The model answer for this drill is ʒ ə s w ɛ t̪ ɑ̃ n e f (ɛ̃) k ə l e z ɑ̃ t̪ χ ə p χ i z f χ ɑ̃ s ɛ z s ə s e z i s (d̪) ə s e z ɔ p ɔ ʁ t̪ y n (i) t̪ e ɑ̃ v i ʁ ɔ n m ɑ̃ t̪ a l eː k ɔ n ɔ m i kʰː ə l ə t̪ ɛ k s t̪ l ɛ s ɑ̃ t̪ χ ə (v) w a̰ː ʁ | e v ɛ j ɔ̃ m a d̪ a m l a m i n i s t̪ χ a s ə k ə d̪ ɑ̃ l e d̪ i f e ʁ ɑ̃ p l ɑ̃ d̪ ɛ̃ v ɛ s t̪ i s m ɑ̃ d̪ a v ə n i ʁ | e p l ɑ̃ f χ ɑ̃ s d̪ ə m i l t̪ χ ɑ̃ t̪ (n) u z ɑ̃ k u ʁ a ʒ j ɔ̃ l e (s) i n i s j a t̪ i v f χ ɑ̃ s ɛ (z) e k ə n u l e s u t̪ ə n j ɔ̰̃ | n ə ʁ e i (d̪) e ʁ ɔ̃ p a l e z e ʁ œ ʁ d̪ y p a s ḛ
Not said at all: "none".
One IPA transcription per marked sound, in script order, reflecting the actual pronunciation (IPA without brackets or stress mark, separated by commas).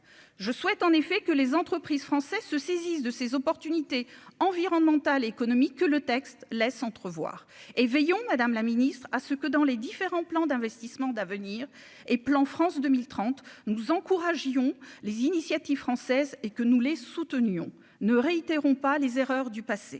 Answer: ɛ, d̪, i, v, n, z, z, t̪